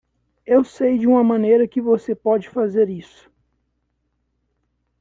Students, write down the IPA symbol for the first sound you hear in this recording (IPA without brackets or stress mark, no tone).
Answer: e